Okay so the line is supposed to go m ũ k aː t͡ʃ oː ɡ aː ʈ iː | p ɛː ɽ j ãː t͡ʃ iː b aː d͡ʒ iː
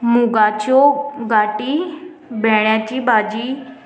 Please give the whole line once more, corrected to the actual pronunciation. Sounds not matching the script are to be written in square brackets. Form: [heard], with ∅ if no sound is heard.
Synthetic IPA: m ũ [ɡ] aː t͡ʃ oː ɡ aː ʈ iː | [b] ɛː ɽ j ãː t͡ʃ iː b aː d͡ʒ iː

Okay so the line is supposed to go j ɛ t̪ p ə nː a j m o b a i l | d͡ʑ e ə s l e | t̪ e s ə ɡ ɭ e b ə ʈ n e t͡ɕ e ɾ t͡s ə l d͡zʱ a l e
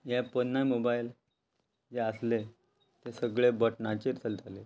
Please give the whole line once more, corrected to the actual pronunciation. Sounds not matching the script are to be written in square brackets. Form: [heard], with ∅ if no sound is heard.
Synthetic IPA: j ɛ [∅] p ə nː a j m o b a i l | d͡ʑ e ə s l e | t̪ e s ə ɡ ɭ e b ə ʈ n [a] t͡ɕ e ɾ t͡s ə l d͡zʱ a l e

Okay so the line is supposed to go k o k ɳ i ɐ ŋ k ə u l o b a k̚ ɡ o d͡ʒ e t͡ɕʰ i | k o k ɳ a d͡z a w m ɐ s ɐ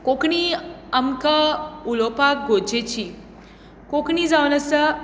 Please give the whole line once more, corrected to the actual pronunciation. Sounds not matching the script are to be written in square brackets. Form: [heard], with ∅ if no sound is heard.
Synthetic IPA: k o k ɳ i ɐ [m] k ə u l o [p] a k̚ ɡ o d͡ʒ e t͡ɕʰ i | k o k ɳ [i] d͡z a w [n] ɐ s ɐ

